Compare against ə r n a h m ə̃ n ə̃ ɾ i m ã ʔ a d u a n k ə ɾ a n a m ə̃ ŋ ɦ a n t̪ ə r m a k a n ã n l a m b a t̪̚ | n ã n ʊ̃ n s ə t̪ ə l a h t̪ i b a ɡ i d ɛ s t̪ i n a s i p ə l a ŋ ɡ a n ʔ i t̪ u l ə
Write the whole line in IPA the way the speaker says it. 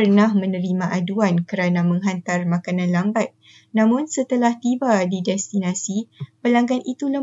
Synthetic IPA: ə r n a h m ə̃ n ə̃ ɾ i m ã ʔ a d u a n k ə ɾ a n a m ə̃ ŋ ɦ a n t̪ a r m a k a n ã n l a m b a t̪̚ | n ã m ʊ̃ n s ə t̪ ə l a h t̪ i b a d i d ɛ s t̪ i n a s i p ə l a ŋ ɡ a n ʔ i t̪ u l ə